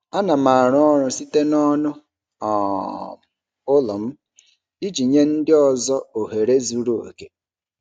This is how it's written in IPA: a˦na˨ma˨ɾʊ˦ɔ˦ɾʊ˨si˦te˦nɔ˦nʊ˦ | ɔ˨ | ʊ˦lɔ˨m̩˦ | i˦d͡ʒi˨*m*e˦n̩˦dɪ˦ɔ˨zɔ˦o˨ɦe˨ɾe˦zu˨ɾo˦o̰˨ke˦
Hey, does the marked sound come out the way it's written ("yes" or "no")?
no